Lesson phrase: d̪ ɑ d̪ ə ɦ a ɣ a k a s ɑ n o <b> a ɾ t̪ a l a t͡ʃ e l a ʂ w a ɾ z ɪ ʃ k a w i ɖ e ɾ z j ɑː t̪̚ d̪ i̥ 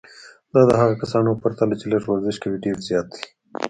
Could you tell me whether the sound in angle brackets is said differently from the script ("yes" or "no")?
yes